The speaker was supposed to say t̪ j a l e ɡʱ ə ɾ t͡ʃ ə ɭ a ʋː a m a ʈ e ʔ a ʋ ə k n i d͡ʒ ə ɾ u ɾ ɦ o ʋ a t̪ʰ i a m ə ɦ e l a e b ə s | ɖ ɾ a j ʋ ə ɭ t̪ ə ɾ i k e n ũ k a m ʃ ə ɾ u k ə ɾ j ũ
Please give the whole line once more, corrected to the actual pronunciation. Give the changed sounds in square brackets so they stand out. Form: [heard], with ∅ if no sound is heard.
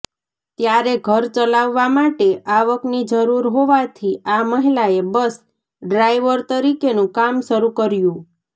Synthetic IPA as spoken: t̪ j a [ɾ] e ɡʱ ə ɾ t͡ʃ ə [l] a ʋː a m a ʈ e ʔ a ʋ ə k n i d͡ʒ ə ɾ u ɾ ɦ o ʋ a t̪ʰ i a m ə ɦ [i] l a e b ə s | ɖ ɾ a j ʋ ə [ɾ] t̪ ə ɾ i k e n ũ k a m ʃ ə ɾ u k ə ɾ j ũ